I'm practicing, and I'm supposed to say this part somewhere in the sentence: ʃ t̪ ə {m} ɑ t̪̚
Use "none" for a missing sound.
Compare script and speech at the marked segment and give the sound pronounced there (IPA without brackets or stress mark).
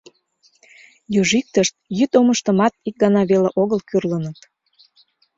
m